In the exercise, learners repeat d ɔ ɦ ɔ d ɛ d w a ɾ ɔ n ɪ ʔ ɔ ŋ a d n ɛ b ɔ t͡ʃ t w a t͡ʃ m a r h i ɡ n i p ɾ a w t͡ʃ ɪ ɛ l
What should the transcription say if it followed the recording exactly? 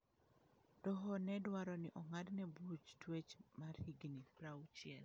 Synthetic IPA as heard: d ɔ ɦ ɔ n ɛ d w a ɾ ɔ n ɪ ʔ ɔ ŋ a d n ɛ b u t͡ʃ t w e t͡ʃ m a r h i ɡ n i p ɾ a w t͡ʃ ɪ ɛ l